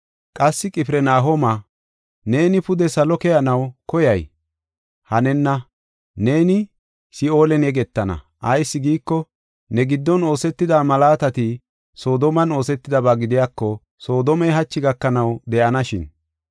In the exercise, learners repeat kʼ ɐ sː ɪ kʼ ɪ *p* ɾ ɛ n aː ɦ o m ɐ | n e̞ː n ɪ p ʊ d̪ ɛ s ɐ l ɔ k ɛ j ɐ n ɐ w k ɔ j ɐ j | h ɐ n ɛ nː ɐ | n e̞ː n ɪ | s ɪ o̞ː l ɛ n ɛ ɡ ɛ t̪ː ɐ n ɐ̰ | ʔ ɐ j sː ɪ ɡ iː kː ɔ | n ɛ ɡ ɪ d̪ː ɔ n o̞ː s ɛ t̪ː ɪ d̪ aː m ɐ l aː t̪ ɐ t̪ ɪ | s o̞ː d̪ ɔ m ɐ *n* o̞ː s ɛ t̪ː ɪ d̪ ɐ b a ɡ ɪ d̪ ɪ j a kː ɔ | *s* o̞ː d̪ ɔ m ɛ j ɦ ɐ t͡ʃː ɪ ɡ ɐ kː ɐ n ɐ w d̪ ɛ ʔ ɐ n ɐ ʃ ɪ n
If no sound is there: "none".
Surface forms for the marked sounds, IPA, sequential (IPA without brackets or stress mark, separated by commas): p, n, s